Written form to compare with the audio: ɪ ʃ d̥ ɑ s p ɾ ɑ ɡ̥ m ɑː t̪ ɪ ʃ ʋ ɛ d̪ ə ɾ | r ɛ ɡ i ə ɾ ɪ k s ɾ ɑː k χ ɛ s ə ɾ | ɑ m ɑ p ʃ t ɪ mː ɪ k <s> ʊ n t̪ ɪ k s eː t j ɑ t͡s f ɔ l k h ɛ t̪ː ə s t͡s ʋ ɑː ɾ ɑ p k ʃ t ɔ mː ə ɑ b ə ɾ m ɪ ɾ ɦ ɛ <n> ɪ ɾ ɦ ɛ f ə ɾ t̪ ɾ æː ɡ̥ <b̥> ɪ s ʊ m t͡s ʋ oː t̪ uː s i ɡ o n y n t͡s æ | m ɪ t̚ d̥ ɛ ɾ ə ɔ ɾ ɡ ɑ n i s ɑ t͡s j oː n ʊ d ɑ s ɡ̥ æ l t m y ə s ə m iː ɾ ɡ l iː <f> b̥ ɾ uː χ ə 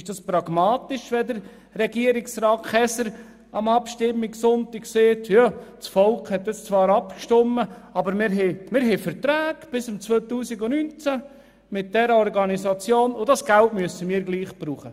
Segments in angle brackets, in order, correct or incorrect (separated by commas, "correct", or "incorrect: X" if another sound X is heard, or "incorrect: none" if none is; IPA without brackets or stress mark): correct, incorrect: m, correct, incorrect: χ